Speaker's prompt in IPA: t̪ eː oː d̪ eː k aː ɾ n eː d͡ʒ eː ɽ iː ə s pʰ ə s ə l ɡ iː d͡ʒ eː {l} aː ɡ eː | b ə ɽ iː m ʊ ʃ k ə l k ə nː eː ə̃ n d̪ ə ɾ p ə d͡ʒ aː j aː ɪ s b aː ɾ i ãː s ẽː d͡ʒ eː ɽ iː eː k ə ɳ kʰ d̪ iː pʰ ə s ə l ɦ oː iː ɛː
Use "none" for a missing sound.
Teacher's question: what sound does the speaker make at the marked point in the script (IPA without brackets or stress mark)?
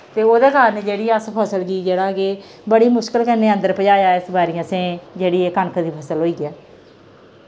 ɽ